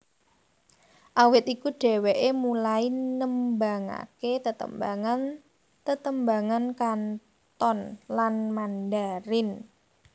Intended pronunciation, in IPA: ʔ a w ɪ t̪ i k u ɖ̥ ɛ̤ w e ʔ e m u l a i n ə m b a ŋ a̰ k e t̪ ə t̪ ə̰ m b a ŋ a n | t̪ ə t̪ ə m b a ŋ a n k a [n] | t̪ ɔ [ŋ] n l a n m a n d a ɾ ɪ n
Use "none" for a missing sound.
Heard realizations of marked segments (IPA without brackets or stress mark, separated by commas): n, none